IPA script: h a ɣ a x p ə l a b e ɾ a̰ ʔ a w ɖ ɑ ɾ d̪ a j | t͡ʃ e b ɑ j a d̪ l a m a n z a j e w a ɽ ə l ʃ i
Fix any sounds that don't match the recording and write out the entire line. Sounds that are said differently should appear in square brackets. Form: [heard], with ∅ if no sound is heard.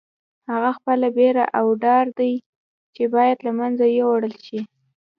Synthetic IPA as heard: h a ɣ a x p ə l a b e ɾ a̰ ʔ a w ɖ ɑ ɾ d̪ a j | t͡ʃ e b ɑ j a d̪ l a m a n z a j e w a ɽ ə l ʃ i